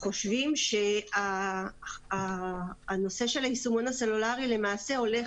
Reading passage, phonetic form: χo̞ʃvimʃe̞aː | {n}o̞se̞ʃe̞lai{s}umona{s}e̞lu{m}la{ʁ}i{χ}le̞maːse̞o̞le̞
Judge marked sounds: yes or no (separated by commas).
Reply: yes, yes, yes, no, yes, no